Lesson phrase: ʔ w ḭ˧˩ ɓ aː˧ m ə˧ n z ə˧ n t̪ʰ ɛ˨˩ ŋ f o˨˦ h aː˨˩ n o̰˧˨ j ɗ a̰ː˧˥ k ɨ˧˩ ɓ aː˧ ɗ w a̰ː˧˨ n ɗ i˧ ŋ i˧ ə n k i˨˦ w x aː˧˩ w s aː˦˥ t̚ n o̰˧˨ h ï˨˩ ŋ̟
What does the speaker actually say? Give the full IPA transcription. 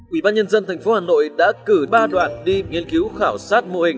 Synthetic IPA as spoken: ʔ w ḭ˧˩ ɓ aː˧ ɲ ə˧ n z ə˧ n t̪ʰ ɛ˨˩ ŋ f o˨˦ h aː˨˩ n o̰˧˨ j ɗ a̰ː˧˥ k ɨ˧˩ ɓ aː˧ ɗ w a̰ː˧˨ n ɗ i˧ ŋ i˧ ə n k i˨˦ w x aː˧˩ w s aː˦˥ t̚ m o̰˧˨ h ï˨˩ ŋ̟